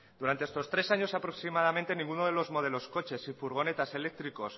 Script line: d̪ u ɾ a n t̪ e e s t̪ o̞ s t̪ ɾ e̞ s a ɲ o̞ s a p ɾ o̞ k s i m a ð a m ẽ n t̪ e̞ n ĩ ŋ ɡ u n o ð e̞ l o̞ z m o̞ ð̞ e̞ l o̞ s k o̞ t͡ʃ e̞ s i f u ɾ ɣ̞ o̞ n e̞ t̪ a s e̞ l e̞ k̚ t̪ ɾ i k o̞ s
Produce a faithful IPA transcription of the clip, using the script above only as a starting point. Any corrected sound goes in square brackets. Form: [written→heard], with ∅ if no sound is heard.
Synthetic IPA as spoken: d̪ u ɾ a n t̪ e e s t̪ o̞ s t̪ ɾ e̞ s a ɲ o̞ s a p ɾ o̞ k s i m a ð a m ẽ n t̪ e̞ n ĩ ŋ ɡ u n o ð e̞ l o̞ z m o̞ ð̞ e̞ l o̞ s k o̞ t͡ʃ e̞ s i f u ɾ ɣ̞ o̞ n e̞ t̪ a s e̞ l e̞ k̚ t̪ ɾ i k o̞ s